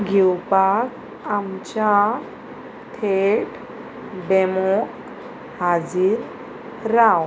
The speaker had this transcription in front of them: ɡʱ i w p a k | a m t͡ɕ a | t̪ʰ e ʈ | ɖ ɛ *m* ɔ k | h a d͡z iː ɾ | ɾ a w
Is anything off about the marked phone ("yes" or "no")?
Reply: no